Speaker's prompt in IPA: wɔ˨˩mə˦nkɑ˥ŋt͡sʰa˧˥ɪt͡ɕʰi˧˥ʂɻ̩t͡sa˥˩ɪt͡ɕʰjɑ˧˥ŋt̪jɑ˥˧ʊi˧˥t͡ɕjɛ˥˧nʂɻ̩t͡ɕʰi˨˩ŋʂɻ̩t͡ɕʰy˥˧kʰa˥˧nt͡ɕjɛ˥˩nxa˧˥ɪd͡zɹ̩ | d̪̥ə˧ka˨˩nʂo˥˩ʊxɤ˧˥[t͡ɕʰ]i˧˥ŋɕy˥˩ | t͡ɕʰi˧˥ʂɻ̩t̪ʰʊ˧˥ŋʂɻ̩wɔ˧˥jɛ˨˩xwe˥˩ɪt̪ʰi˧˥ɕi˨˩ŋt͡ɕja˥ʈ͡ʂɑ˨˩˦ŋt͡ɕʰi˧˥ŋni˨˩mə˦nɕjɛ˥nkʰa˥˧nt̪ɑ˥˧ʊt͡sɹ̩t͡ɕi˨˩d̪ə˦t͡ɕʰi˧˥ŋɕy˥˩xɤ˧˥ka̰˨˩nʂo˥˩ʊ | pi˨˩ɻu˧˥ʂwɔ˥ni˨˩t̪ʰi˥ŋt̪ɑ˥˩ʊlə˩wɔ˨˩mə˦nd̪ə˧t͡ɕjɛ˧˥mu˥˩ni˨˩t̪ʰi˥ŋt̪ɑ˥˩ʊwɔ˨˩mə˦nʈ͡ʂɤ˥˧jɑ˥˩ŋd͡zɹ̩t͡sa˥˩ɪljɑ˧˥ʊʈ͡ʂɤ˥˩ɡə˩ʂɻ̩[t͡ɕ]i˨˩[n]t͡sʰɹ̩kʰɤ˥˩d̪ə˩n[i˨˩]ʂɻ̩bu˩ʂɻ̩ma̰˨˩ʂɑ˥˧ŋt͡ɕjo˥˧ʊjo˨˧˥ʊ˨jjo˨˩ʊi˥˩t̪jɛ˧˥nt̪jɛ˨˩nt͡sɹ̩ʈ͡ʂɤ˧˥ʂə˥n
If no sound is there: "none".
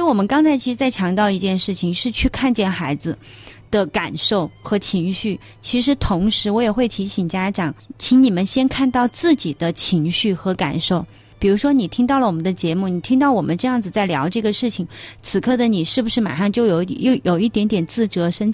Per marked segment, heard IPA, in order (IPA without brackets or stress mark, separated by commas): t͡ɕʰ, t͡ɕʰ, ŋ, i˨˩